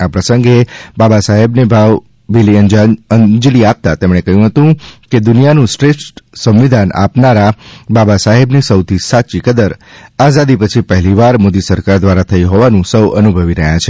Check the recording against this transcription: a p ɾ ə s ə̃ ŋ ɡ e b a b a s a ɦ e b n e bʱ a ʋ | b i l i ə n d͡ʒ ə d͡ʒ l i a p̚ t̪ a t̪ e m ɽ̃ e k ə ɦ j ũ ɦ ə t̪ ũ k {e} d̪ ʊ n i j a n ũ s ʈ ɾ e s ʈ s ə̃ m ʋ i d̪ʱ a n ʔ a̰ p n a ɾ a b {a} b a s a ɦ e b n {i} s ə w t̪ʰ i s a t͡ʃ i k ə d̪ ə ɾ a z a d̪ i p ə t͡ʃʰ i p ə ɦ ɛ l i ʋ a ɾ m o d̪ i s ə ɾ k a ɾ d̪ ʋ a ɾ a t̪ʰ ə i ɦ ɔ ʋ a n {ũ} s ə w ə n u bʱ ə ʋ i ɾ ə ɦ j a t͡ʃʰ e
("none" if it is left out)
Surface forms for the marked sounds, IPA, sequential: e, a, i, ũ

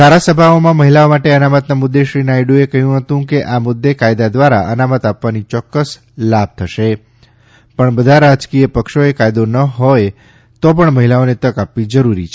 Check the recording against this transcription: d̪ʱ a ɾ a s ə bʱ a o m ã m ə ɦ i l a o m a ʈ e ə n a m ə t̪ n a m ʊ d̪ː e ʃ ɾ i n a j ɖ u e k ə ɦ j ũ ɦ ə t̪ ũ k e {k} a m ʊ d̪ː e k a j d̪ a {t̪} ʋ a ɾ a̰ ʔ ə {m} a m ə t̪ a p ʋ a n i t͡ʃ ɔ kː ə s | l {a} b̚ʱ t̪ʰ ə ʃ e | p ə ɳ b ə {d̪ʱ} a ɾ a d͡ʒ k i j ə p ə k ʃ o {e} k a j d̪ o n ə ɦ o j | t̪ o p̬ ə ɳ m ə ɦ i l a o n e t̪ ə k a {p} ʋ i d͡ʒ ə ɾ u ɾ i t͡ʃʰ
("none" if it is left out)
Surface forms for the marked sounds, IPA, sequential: ʔ, d̪, n, a, d̪ʱ, e, p

